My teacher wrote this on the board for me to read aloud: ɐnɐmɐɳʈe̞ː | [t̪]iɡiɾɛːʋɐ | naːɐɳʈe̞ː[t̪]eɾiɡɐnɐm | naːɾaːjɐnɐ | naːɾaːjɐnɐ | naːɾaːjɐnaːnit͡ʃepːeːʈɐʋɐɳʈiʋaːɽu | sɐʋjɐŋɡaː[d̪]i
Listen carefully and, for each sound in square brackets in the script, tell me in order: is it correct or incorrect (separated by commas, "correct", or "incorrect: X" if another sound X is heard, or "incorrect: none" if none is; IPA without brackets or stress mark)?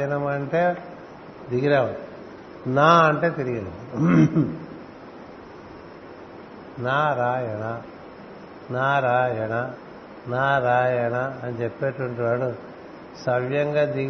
incorrect: d̪, correct, correct